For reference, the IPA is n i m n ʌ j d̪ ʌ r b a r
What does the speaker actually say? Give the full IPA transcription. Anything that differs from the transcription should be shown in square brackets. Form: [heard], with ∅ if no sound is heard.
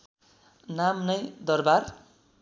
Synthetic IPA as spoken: n [a] m n ʌ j d̪ ʌ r b a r